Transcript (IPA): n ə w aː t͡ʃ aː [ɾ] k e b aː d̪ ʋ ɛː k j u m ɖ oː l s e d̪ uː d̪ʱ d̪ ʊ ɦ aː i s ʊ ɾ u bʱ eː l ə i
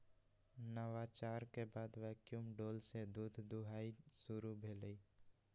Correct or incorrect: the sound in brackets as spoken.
correct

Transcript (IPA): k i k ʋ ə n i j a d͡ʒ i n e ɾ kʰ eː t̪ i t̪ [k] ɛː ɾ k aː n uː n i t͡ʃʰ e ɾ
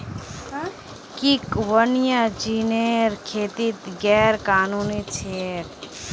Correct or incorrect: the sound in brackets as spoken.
incorrect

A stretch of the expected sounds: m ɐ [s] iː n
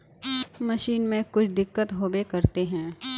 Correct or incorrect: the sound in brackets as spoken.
incorrect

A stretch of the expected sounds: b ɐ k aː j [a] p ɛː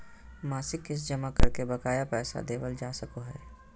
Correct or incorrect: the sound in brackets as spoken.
correct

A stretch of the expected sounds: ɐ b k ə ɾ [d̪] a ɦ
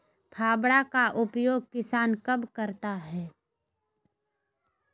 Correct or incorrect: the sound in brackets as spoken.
incorrect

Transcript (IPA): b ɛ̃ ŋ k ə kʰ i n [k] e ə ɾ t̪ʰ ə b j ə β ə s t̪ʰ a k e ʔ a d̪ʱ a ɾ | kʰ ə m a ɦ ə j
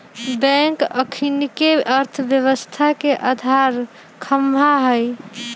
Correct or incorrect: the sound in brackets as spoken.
correct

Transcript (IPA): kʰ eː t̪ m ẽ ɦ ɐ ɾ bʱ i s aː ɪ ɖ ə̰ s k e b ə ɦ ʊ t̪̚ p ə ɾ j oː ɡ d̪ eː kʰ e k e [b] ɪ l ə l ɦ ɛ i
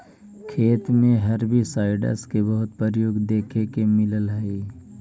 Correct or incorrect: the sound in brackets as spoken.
incorrect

